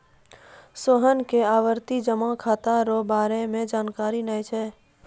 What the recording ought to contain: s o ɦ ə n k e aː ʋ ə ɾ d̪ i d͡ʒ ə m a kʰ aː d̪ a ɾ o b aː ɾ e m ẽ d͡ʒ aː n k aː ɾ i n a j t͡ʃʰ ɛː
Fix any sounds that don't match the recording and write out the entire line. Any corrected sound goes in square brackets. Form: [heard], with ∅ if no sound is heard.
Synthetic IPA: s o ɦ ə n k e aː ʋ ə ɾ [t̪] i d͡ʒ ə m a kʰ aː [t̪] a ɾ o b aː ɾ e m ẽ d͡ʒ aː n k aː ɾ i n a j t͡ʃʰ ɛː